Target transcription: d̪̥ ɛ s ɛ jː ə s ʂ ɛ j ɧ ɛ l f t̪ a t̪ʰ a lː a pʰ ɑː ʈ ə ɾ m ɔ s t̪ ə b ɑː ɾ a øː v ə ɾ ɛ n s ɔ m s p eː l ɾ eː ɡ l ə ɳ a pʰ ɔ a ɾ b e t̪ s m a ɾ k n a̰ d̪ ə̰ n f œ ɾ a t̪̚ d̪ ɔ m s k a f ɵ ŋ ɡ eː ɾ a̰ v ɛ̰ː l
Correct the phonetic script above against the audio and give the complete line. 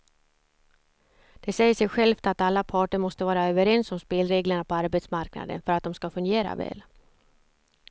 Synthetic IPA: d̪̥ ɛ s ɛ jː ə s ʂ ɛ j ɧ ɛ l f t̪ a t̪ a lː a pʰ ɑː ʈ ə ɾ m ɔ s t̪ ə v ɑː ɾ a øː v ə ɾ ɛ n s ɔ m s p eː l ɾ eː ɡ l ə ɳ a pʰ ɔ a ɾ b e t̪ s m a ɾ k n a̰ d̪ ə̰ n f œ ɾ a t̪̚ d̪ ɔ m s k a f ɵ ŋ ɡ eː ɾ a̰ v ɛ̰ː l